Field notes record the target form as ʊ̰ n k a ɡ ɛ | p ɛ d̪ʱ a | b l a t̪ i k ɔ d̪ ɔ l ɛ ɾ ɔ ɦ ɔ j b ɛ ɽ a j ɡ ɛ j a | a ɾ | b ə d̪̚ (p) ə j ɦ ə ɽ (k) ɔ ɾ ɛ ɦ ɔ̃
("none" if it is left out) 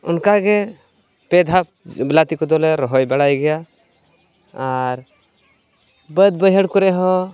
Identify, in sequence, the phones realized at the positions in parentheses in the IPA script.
b, k

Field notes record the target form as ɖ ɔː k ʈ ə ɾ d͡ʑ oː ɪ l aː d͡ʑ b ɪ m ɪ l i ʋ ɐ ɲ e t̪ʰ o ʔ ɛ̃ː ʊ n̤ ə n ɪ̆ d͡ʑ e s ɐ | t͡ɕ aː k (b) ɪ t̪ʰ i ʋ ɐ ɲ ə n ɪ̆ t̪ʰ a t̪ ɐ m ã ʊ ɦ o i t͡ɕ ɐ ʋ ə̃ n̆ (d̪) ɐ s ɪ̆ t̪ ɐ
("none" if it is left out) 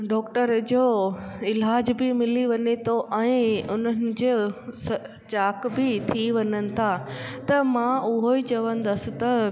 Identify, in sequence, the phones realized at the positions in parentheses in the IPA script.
b, d̪

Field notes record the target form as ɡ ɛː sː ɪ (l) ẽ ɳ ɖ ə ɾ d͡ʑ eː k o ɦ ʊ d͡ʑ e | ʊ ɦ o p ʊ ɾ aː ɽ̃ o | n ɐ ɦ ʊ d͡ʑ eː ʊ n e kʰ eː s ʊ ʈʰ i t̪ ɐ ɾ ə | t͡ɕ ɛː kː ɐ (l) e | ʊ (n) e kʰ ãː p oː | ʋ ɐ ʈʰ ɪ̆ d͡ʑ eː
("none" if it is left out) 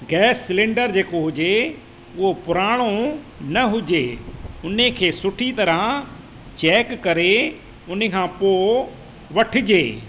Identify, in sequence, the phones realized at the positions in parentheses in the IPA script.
l, ɾ, n

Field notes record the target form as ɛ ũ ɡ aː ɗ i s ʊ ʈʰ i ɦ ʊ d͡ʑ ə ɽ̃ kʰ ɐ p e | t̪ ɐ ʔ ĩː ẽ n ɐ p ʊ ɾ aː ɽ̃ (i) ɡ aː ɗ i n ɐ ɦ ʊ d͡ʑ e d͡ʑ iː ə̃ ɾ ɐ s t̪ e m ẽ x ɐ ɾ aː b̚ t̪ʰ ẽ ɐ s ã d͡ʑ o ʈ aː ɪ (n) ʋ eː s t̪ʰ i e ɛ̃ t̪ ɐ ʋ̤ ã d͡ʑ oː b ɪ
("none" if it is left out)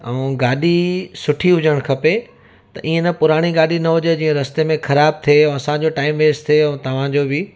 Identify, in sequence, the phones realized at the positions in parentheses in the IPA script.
i, m

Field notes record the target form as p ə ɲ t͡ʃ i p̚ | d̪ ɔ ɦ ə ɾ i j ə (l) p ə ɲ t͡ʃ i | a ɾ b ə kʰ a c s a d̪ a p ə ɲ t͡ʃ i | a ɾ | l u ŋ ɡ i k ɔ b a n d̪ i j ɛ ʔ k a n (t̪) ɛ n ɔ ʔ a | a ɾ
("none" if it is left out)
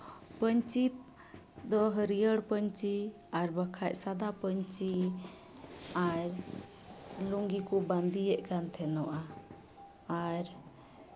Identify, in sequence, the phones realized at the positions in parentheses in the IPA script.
ɽ, t̪ʰ

